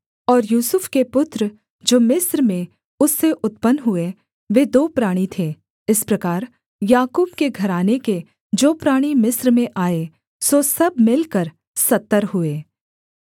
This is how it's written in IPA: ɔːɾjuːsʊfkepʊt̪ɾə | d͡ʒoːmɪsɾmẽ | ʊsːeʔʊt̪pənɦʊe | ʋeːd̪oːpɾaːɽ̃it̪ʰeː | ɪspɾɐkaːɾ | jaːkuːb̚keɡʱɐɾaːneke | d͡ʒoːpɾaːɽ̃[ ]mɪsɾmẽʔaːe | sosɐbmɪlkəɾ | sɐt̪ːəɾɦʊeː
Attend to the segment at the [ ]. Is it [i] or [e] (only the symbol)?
i